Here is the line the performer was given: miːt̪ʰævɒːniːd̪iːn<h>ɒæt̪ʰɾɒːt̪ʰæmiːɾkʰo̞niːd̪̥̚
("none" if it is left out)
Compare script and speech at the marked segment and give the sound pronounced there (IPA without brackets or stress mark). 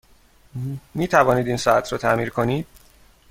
s